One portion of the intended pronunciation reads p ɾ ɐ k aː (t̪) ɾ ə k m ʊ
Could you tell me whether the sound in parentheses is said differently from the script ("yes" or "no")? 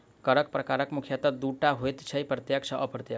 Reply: yes